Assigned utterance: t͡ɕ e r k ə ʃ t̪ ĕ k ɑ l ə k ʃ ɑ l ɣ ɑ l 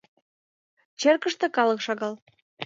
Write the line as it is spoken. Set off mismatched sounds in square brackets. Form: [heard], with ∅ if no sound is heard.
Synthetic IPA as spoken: t͡ɕ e r k ə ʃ t̪ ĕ k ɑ l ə k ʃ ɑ [∅] ɣ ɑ l